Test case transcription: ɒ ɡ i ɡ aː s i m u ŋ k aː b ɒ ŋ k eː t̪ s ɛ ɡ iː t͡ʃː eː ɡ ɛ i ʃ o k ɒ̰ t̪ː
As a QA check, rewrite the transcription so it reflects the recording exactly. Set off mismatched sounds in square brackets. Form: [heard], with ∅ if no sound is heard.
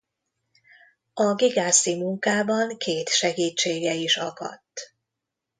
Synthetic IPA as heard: ɒ ɡ i ɡ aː s i m u ŋ k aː b ɒ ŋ k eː t̪ [ʃ] ɛ ɡ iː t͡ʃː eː ɡ ɛ i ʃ [ɒ] k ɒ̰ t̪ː